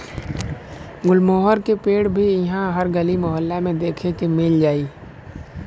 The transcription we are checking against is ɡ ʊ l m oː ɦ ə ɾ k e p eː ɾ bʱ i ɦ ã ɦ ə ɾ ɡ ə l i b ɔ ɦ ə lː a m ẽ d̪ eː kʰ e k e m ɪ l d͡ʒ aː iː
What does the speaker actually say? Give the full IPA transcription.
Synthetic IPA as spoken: ɡ ʊ l m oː ɦ ə ɾ k e p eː ɽ bʱ i ɦ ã ɦ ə ɾ ɡ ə l i m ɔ ɦ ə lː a m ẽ d̪ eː kʰ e k e m ɪ l d͡ʒ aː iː